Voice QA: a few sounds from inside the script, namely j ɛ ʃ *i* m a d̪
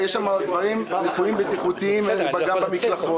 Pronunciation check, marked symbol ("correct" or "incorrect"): incorrect